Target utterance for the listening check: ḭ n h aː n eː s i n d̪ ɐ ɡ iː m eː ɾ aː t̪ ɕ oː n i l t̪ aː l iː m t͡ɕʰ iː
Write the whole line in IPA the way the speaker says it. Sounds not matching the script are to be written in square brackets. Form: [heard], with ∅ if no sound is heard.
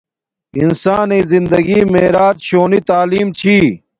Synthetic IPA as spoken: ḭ n [s] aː n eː [z] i n d̪ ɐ ɡ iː m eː ɾ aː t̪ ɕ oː n i [∅] t̪ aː l iː m t͡ɕʰ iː